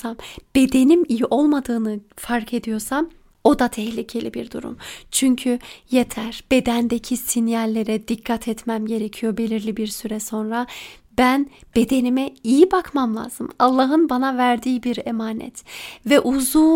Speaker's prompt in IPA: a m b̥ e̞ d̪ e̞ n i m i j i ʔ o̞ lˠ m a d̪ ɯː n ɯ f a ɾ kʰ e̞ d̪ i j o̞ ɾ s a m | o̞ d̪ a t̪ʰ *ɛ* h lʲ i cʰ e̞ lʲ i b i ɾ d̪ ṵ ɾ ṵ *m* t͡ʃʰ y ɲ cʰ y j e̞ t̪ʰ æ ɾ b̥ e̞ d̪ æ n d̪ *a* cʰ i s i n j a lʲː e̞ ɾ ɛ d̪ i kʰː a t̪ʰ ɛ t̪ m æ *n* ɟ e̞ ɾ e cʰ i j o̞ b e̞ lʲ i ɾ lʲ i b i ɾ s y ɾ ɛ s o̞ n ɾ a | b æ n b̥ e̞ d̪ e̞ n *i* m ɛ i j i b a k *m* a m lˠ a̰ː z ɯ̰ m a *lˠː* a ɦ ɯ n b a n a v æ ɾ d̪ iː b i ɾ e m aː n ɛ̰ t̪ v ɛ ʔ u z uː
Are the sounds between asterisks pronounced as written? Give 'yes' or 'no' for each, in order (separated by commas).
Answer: yes, yes, no, no, yes, yes, yes